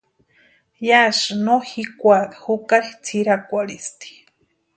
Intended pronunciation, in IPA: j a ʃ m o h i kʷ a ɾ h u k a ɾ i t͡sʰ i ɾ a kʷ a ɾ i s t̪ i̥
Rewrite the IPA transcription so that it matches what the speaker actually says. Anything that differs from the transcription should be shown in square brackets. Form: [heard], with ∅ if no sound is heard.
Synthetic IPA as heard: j a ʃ [n] o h i kʷ a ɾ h u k a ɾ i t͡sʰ i ɾ a kʷ a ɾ i s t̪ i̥